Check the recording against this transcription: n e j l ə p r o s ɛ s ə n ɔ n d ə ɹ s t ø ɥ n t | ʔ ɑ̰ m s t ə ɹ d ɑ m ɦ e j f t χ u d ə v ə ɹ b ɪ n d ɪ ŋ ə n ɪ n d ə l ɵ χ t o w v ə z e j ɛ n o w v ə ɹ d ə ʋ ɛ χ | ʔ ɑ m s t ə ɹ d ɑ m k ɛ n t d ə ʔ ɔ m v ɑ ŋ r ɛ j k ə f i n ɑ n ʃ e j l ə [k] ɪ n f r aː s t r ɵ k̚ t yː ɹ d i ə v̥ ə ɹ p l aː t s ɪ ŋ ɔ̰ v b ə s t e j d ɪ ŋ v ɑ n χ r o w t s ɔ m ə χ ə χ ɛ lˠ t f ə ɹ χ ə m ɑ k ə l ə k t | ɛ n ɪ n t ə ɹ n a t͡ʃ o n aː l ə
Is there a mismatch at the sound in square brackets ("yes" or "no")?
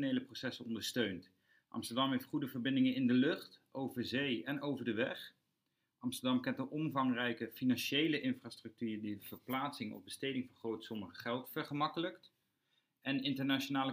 yes